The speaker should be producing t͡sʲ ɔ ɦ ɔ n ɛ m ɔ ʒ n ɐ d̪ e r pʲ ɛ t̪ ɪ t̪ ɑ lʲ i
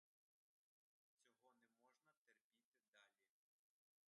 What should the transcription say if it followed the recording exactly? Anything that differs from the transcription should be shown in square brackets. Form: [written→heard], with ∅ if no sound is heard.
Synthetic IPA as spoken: t͡sʲ ɔ ɦ ɔ n ɛ m ɔ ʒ n ɐ [d̪→t̪] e r pʲ [ɛ→i] t̪ ɪ [t̪→d̪] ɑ lʲ i